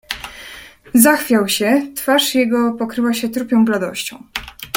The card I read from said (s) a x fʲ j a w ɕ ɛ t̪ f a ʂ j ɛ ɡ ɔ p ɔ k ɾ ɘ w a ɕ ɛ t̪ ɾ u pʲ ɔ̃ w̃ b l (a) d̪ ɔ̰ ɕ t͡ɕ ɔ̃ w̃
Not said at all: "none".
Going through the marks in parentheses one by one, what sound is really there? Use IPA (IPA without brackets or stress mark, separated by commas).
z, a